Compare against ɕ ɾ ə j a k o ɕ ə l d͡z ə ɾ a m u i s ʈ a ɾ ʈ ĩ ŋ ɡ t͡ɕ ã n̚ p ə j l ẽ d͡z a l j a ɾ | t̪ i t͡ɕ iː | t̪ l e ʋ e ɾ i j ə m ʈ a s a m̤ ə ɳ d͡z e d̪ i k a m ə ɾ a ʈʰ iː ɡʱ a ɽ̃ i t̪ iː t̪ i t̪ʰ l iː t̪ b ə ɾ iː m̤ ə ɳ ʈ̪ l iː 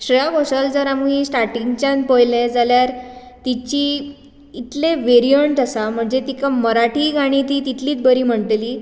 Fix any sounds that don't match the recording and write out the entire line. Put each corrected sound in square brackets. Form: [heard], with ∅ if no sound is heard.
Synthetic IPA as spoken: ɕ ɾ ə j a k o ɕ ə l d͡z ə ɾ a m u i s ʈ a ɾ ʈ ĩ ŋ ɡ t͡ɕ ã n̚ p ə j l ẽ d͡z a l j a ɾ | t̪ i t͡ɕ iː | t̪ l e ʋ e ɾ i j ə [ɳ] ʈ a s a m̤ ə ɳ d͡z e [t̪] i k a m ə ɾ a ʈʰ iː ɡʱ a ɽ̃ i t̪ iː t̪ i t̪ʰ l iː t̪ b ə ɾ iː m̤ ə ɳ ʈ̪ l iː